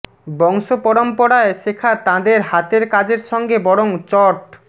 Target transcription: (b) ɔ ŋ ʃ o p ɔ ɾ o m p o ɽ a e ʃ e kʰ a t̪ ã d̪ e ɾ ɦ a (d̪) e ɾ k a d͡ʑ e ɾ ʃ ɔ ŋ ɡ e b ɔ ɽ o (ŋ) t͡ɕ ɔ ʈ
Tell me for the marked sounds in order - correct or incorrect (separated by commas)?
correct, incorrect, correct